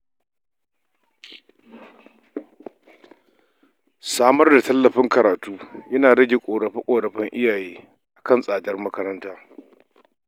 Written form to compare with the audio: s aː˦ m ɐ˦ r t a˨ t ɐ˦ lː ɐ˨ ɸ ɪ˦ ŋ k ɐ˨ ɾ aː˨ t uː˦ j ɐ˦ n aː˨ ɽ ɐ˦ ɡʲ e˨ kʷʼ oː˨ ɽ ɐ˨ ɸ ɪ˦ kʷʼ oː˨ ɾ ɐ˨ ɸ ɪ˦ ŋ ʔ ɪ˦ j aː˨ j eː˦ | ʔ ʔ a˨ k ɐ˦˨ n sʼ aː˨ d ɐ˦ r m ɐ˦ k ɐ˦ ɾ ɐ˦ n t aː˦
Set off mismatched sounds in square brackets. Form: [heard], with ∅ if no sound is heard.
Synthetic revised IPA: s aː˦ m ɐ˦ r [d] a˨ t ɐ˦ lː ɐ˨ ɸ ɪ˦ ŋ k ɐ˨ ɾ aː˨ t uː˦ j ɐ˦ n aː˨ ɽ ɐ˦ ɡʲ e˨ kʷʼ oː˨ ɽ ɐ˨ ɸ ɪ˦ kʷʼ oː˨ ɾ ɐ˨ ɸ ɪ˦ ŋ ʔ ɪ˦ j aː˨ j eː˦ | ʔ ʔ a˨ k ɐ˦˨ n sʼ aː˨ d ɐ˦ r m ɐ˦ k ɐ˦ ɾ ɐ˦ n t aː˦